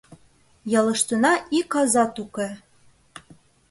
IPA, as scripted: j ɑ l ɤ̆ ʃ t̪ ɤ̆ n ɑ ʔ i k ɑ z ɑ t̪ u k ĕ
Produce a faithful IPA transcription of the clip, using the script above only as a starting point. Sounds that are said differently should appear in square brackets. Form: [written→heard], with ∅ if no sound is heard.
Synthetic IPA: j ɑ l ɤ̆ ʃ t̪ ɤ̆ n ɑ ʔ i k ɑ z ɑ t̪ u k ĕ